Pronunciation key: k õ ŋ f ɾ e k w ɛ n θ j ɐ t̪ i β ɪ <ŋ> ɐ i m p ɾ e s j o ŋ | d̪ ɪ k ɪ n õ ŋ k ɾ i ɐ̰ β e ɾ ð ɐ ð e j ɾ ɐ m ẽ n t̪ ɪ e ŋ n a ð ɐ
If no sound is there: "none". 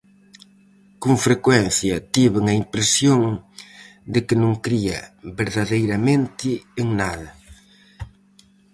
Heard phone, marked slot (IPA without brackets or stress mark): ŋ